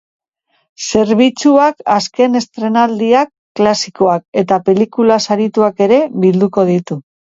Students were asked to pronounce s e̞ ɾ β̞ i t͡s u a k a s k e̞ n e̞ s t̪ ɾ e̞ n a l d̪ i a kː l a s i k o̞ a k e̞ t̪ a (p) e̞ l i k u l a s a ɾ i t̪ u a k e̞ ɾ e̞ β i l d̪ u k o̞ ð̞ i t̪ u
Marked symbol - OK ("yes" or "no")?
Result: yes